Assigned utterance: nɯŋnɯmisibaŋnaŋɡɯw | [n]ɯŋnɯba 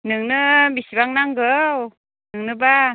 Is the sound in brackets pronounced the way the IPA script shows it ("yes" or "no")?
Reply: yes